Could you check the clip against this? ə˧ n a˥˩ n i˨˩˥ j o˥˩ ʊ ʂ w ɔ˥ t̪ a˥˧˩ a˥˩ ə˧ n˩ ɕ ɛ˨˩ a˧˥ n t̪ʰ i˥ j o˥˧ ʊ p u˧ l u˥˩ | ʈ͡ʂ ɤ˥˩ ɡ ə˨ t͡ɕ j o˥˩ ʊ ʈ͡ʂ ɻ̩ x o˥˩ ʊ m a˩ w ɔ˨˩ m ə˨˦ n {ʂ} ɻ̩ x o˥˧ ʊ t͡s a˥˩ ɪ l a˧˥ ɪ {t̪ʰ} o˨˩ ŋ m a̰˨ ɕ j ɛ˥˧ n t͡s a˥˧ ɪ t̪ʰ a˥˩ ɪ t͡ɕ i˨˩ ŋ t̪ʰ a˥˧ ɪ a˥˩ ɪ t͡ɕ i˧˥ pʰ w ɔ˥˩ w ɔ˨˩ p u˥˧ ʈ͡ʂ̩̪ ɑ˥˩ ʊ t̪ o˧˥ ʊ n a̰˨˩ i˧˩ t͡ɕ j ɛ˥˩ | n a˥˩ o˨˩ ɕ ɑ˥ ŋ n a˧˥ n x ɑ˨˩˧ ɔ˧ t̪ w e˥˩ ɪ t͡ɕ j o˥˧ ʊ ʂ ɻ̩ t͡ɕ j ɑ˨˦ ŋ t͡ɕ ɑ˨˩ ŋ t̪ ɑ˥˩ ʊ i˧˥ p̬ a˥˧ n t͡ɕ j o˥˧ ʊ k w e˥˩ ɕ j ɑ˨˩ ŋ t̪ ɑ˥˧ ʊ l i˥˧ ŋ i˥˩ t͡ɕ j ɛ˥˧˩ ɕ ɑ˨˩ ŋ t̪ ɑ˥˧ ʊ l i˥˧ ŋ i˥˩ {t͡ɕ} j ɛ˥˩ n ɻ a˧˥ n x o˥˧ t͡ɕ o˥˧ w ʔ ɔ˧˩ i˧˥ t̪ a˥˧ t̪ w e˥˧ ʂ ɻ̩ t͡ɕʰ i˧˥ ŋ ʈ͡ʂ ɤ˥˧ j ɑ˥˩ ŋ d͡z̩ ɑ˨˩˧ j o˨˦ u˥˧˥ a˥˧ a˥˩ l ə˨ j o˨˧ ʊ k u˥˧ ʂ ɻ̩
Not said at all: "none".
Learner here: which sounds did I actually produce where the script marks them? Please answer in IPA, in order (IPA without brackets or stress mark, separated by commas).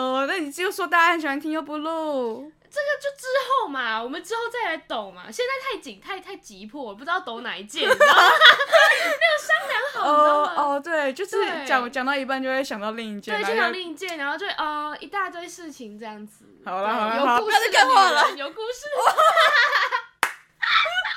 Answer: ʈ͡ʂ, t̪, t͡ɕ